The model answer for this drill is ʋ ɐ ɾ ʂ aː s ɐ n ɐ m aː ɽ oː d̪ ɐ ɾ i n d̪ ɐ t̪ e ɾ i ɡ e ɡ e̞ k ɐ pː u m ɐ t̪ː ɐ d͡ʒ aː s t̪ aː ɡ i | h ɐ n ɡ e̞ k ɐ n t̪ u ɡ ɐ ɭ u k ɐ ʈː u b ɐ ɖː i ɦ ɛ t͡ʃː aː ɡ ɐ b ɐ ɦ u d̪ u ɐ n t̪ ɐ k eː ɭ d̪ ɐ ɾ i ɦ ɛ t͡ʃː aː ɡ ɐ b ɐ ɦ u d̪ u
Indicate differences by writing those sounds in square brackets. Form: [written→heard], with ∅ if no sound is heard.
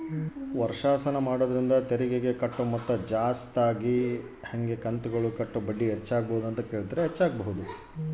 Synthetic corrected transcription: ʋ ɐ ɾ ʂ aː s ɐ n ɐ m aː ɽ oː d̪ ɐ ɾ i n d̪ ɐ t̪ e ɾ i ɡ e ɡ e̞ k ɐ [pː→ʈː] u m ɐ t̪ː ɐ d͡ʒ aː s t̪ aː ɡ i | h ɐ [n→ŋ] ɡ e̞ k ɐ n t̪ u ɡ ɐ ɭ u k ɐ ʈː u b ɐ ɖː i ɦ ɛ t͡ʃː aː ɡ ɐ b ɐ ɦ u d̪ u ɐ n t̪ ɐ k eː ɭ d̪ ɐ ɾ [i→e] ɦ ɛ t͡ʃː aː ɡ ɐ b ɐ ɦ u d̪ u